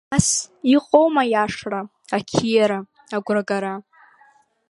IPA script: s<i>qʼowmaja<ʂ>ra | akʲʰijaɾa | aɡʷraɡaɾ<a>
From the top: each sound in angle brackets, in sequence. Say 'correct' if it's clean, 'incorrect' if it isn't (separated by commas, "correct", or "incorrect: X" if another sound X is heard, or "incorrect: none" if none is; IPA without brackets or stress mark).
correct, correct, correct